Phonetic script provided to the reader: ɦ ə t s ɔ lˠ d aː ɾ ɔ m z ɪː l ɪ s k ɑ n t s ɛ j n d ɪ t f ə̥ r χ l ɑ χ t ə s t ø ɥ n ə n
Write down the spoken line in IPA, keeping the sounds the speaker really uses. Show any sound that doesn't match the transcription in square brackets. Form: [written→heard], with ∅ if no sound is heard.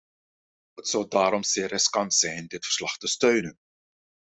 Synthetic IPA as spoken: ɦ ə t s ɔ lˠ d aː ɾ ɔ m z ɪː [l→r] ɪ s k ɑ n t s ɛ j n d ɪ t f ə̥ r [χ→s] l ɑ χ t ə s t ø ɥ n ə n

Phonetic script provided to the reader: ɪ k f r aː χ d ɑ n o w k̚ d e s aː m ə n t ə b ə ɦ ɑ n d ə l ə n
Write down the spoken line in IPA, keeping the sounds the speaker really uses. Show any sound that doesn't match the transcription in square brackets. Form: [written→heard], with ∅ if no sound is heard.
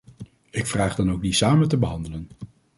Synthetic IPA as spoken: ɪ k f r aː χ d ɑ n o w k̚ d [e→i] s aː m ə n t ə b ə ɦ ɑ n d ə l ə n

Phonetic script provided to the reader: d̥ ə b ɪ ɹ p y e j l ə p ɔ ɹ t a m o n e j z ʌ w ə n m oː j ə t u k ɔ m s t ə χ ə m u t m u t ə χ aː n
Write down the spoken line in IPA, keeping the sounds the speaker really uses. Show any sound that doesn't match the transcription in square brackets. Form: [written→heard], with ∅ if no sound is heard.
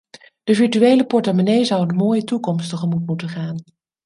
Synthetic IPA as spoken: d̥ ə [b→v] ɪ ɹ [p→t] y e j l ə p ɔ ɹ t a m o n e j z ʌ w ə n m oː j ə t u k ɔ m s t ə χ ə m u t m u t ə χ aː n

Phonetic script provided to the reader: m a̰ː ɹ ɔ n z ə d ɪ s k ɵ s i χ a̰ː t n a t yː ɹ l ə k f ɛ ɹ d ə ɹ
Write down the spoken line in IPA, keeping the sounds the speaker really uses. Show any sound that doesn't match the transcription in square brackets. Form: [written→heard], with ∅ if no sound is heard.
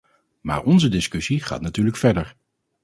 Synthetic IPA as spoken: m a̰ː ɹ ɔ n z ə d ɪ s k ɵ s i χ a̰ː t n a t yː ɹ l ə k f ɛ ɹ d ə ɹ

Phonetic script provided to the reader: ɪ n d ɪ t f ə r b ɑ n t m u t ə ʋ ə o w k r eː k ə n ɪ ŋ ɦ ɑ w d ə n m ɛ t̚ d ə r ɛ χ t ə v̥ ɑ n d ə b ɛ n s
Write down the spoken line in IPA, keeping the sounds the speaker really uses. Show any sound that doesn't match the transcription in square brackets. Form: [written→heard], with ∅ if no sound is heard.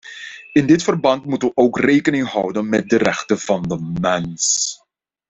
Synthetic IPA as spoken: ɪ n d ɪ t f ə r b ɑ n t m u t ə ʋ ə o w k r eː k ə n ɪ ŋ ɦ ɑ w d ə n m ɛ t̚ d ə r ɛ χ t ə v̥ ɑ n d ə [b→m] ɛ n s

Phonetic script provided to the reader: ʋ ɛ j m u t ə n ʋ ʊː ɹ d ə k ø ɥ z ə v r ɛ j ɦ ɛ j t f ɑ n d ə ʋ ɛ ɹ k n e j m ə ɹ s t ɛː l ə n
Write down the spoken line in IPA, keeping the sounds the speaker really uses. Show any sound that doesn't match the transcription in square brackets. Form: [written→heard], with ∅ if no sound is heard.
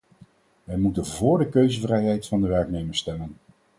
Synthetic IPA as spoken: ʋ ɛ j m u t ə n [ʋ→v] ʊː ɹ d ə k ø ɥ z ə v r ɛ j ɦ ɛ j t f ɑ n d ə ʋ ɛ ɹ k n e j m ə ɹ s t [ɛː→ɛ] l ə n

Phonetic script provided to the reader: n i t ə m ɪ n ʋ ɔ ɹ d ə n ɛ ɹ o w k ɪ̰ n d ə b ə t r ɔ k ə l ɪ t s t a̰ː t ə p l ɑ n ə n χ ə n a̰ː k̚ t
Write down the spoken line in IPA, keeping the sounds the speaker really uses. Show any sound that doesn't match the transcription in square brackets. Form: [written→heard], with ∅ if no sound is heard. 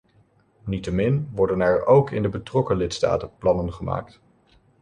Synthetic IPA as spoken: n i t ə m ɪ n ʋ ɔ ɹ d ə n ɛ ɹ o w k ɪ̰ n d ə b ə t r ɔ k ə l ɪ t s t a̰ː t ə p l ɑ n ə n χ ə [n→m] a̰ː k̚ t

